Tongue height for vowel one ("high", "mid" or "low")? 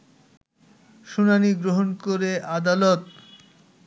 high